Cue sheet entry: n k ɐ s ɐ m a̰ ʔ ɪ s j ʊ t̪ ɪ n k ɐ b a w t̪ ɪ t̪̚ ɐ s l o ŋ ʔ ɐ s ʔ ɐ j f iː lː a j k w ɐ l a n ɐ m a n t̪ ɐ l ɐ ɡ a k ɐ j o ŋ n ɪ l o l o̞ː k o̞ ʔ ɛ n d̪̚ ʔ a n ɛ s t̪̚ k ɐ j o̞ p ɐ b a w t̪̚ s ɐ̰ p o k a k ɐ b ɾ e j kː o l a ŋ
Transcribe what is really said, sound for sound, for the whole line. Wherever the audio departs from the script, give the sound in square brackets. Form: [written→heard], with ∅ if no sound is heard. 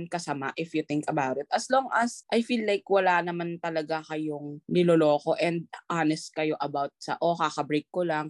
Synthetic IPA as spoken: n k ɐ s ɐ m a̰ ʔ ɪ [s→f] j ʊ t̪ ɪ [n→ŋ] k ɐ b a w t̪ ɪ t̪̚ ɐ s l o ŋ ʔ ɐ s ʔ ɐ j f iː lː a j k w ɐ l a n ɐ m a n t̪ ɐ l ɐ ɡ a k ɐ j o ŋ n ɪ l o l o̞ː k o̞ ʔ ɛ n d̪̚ ʔ a n ɛ s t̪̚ k ɐ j o̞ [p→ʔ] ɐ b a w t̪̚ s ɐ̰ [p→ʔ] o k a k ɐ b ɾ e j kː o l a ŋ